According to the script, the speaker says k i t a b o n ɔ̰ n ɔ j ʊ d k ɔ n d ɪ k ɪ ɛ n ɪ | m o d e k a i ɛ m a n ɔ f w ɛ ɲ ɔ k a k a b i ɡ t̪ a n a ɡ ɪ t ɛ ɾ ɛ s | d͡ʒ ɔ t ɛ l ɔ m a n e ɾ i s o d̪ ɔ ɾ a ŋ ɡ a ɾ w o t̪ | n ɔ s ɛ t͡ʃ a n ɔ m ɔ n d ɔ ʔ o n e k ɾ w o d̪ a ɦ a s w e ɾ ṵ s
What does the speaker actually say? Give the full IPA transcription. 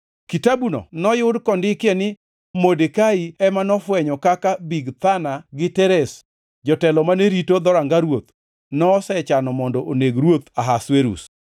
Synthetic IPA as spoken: k i t a b u n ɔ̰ n ɔ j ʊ d k ɔ n d ɪ k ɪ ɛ n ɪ | m o d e k a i ɛ m a n ɔ f w ɛ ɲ ɔ k a k a b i ɡ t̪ a n a ɡ ɪ t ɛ ɾ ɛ s | d͡ʒ ɔ t ɛ l ɔ m a n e ɾ i t o d̪ ɔ ɾ a ŋ ɡ a ɾ w o t̪ | n ɔ s ɛ t͡ʃ a n ɔ m ɔ n d ɔ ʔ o n e ɡ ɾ w o t̪ a ɦ a s w e ɾ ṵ s